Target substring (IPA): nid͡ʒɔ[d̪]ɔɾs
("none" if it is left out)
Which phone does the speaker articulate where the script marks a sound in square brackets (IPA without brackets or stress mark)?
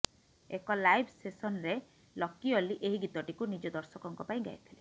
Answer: d̪